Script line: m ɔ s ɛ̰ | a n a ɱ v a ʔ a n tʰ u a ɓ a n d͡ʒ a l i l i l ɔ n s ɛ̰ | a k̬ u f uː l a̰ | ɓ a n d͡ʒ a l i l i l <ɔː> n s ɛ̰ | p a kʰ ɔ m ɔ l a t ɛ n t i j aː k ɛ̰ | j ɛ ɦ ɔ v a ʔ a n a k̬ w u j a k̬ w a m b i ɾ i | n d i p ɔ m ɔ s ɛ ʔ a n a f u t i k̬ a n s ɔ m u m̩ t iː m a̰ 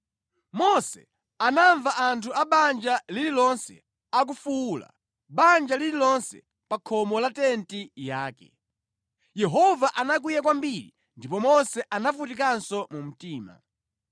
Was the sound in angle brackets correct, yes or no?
no